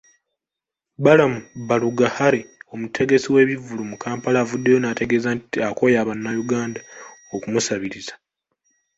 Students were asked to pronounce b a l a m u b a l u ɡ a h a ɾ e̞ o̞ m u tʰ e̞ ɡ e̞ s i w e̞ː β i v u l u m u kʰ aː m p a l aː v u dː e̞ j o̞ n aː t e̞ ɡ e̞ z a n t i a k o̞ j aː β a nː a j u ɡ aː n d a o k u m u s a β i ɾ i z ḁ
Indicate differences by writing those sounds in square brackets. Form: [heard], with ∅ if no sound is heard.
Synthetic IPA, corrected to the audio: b a l a m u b a l u ɡ a h a ɾ e̞ o̞ m u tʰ e̞ ɡ e̞ s i w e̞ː β i v u l u m u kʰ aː m p a l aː v u dː e̞ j o̞ n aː t e̞ ɡ e̞ z a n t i a k o̞ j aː β a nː a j u ɡ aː n d a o k u m u s a β i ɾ i z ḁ

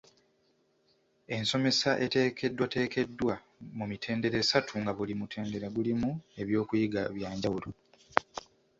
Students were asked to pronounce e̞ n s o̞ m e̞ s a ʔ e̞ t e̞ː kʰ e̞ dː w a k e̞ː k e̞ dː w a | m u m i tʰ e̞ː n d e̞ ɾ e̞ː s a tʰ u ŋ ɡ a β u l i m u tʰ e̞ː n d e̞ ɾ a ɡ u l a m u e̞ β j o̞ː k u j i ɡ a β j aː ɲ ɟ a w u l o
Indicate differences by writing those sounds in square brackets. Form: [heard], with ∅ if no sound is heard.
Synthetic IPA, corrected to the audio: e̞ n s o̞ m e̞ s a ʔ e̞ t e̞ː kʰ e̞ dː w a [t] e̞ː k e̞ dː w a | m u m i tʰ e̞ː n d e̞ ɾ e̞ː s a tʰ u ŋ ɡ a β u l i m u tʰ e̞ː n d e̞ ɾ a ɡ u l [i] m u e̞ β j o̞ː k u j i ɡ a β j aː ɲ ɟ a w u l o

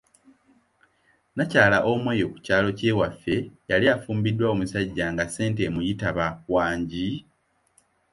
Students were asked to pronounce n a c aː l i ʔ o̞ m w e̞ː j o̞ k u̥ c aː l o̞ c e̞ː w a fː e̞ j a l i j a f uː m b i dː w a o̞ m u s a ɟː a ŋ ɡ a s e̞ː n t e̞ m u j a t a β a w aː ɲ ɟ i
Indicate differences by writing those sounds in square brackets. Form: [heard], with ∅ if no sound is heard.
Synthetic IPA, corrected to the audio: n a c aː l [a] ʔ o̞ m w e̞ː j o̞ k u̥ c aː l o̞ c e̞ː w a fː e̞ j a l i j a f uː m b i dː w a o̞ m u s a ɟː a ŋ ɡ a s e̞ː n t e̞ m u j [i] t a β a w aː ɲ ɟ i

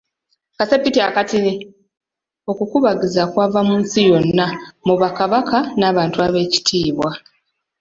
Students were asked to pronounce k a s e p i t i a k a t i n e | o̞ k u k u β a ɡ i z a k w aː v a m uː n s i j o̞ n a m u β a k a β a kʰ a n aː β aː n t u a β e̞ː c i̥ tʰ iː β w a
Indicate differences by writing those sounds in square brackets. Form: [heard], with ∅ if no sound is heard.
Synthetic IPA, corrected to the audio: k a s e p i t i a k a t i n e | o̞ k u k u β a ɡ i z a k w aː v a m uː n s i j o̞ [nː] a m u β a k a β a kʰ a n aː β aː n t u a β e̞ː c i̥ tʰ iː β w a

